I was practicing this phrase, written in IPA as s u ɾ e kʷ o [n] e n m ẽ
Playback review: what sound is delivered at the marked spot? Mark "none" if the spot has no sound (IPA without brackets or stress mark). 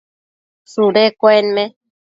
none